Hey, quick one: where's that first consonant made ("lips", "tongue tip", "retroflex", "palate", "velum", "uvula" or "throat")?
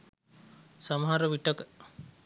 tongue tip